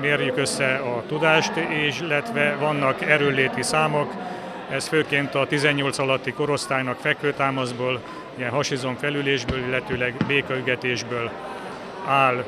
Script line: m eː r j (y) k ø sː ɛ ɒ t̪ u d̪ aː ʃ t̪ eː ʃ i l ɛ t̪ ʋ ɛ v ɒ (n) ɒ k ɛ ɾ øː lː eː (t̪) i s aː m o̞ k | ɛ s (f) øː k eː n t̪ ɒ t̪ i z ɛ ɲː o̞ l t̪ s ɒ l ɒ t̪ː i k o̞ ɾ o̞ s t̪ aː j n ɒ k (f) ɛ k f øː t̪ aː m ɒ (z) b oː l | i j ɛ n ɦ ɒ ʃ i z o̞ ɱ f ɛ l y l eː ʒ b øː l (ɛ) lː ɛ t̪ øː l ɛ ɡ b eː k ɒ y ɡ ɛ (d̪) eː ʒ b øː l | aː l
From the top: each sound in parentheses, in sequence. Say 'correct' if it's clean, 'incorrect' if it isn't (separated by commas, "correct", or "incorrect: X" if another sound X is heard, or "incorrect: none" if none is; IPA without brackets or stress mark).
correct, incorrect: nː, correct, correct, correct, correct, incorrect: i, incorrect: t̪